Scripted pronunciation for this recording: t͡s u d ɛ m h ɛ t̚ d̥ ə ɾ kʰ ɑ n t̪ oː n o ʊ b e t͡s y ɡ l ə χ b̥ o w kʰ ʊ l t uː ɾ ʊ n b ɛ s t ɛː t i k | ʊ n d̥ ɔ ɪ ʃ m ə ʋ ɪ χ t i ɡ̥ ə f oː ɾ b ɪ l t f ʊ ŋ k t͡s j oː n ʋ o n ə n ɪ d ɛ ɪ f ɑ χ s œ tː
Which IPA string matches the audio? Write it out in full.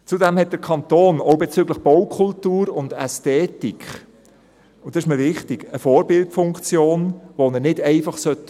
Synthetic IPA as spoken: t͡s u d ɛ m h ɛ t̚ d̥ ə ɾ kʰ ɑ n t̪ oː n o ʊ b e t͡s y ɡ l ə χ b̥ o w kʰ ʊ l t uː ɾ ʊ n d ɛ s t ɛː t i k | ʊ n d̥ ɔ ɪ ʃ m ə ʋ ɪ χ t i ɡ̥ ə f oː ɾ b ɪ l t f ʊ ŋ k t͡s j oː n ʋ o n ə n ɪ d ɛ ɪ f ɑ χ s œ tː